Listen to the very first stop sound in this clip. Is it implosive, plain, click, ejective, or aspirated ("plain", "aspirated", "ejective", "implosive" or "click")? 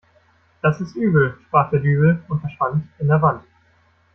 plain